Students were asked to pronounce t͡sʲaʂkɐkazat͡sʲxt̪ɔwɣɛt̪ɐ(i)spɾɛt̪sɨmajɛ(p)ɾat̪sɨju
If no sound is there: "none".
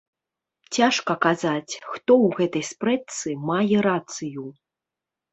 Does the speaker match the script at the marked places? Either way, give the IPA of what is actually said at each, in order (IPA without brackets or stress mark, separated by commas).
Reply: j, none